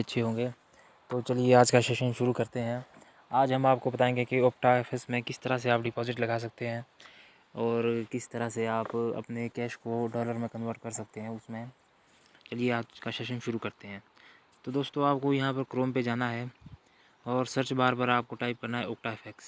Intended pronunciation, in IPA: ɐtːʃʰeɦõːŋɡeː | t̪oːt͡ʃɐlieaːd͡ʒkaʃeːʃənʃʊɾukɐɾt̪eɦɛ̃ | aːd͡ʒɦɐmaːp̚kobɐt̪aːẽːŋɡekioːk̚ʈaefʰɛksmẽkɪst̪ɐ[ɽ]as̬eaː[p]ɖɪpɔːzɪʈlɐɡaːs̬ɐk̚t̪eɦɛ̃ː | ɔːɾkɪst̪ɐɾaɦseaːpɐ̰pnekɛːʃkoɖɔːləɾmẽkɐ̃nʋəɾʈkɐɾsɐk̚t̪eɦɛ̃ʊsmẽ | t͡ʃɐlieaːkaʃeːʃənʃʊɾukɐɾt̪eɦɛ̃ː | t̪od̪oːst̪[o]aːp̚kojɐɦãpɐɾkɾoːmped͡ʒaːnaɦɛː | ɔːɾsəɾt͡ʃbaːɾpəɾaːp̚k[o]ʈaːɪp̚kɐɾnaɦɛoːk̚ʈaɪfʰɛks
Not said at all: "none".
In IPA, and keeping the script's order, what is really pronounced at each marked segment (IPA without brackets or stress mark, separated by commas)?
ɾ, p, õ, o